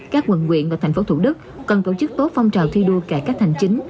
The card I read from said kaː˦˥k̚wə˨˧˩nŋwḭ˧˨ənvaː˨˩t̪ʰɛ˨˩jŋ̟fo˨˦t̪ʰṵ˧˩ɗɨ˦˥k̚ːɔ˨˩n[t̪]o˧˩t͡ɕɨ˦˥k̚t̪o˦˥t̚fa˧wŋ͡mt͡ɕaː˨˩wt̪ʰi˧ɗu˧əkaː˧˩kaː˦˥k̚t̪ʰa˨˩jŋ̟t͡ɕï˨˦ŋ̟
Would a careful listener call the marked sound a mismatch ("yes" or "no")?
no